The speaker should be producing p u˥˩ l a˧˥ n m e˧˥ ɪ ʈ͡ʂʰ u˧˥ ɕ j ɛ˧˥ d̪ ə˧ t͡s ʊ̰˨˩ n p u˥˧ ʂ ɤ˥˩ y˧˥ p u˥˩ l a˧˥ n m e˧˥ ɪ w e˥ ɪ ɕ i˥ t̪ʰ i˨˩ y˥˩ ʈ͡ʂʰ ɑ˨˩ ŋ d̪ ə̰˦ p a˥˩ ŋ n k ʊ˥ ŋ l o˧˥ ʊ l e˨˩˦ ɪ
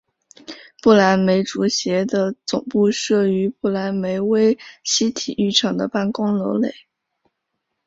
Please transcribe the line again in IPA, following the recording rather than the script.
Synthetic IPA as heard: p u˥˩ l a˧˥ n m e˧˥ ɪ ʈ͡ʂ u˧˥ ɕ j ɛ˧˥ d̪ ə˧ t͡s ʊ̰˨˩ ŋ p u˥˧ ʂ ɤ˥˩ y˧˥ p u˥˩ l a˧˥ n m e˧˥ ɪ w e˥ ɪ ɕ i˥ t̪ʰ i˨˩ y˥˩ ʈ͡ʂʰ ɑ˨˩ ŋ d̪ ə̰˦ p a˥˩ n k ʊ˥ ŋ l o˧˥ ʊ l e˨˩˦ ɪ

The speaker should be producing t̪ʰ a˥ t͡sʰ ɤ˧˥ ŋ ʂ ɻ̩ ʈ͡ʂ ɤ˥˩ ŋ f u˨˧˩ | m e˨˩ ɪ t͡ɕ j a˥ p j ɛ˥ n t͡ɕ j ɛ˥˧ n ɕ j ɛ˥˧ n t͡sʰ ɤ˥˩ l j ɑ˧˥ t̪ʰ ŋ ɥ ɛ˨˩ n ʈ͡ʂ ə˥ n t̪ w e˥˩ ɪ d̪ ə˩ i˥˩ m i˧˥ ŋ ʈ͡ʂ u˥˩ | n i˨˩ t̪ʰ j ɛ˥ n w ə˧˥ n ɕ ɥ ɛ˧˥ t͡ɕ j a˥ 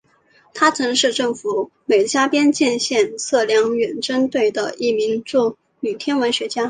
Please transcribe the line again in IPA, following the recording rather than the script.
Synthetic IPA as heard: t̪ʰ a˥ t͡sʰ ɤ˧˥ ŋ ʂ ɻ̩ ʈ͡ʂ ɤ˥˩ ŋ f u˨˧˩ | m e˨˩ ɪ t͡ɕ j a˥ p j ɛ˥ n t͡ɕ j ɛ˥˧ n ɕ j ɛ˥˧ n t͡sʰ ɤ˥˩ l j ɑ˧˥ ŋ ɥ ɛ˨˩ n ʈ͡ʂ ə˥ n t̪ w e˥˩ ɪ d̪ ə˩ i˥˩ m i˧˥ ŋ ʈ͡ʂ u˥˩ | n y˨˩ t̪ʰ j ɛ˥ n w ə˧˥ n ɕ ɥ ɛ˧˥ t͡ɕ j a˥

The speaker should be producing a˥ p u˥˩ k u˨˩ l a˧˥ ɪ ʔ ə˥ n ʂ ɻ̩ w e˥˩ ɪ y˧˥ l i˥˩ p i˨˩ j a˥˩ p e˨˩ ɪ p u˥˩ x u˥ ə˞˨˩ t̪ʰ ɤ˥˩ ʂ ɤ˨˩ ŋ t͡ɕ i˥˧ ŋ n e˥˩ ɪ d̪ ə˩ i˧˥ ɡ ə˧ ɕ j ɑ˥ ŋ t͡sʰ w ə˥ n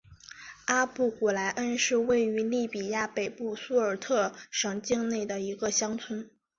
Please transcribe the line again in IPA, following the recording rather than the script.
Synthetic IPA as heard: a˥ p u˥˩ k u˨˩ l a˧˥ ɪ ʔ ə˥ n ʂ ɻ̩ w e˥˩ ɪ y˧˥ l i˥˩ p i˨˩ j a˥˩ p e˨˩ ɪ p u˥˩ s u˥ ə˞˨˩ t̪ʰ ɤ˥˩ ʂ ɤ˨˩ ŋ t͡ɕ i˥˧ ŋ n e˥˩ ɪ d̪ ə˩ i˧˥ ɡ ə˧ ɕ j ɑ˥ ŋ t͡sʰ w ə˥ n

